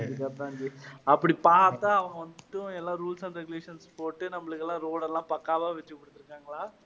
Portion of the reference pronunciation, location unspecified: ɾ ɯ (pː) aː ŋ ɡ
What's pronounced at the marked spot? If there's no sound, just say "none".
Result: kː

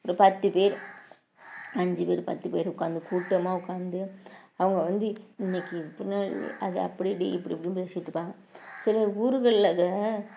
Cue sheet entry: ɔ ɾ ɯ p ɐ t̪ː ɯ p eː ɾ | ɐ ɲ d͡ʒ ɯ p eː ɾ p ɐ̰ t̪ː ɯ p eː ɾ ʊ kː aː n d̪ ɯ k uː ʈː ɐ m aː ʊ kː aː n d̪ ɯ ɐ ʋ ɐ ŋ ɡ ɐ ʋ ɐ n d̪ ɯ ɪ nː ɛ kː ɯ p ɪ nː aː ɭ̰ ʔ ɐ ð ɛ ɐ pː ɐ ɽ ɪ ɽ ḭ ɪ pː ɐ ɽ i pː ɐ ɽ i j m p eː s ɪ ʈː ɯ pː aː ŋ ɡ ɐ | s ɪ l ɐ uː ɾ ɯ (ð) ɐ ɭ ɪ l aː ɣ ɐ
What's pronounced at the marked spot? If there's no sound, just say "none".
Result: ɣ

